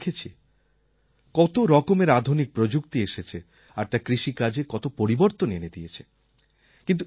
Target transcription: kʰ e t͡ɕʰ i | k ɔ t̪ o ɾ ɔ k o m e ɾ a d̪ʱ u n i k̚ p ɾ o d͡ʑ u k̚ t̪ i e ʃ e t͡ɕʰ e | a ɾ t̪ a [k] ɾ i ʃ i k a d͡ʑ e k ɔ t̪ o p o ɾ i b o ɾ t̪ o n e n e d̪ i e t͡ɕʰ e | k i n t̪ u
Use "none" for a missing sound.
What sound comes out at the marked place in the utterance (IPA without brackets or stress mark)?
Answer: k